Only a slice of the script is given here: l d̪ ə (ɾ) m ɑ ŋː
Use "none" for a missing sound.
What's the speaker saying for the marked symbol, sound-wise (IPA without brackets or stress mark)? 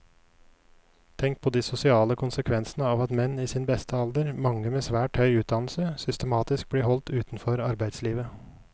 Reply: ɾ